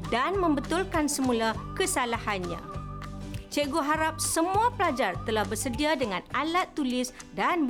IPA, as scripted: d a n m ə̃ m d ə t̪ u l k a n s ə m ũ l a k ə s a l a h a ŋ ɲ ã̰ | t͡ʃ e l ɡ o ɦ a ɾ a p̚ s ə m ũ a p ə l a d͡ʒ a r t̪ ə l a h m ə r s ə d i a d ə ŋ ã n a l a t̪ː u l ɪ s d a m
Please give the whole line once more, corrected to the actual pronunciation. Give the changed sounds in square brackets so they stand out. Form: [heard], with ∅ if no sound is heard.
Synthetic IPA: d a n m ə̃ m [b] ə t̪ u l k a n s ə m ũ l a k ə s a l a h a [n] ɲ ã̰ | t͡ʃ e [∅] ɡ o ɦ a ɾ a p̚ s ə m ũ a p ə l a d͡ʒ a r t̪ ə l a h [b] ə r s ə d i a d ə ŋ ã n a l a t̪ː u l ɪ s d a [n]